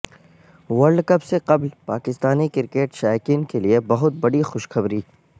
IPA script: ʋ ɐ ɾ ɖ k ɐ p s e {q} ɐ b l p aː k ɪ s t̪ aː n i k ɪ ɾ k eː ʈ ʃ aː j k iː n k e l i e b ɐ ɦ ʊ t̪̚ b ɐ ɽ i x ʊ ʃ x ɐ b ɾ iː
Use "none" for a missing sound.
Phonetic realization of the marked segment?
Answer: q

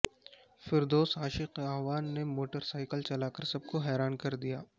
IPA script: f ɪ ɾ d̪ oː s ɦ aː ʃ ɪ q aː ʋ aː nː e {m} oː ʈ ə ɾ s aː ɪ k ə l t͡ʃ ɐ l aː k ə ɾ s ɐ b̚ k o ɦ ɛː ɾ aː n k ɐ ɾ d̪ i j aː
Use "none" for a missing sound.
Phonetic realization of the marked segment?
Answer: m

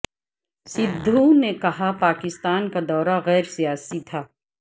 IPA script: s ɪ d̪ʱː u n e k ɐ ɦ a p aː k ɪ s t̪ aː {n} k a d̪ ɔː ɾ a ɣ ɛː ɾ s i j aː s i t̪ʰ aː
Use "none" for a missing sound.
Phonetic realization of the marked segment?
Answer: n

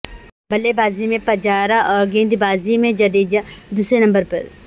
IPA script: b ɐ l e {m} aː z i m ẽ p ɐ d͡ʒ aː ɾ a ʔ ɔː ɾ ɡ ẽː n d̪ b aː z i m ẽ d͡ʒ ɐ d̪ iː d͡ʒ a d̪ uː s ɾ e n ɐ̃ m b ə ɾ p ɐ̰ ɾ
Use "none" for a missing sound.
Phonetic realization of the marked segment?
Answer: b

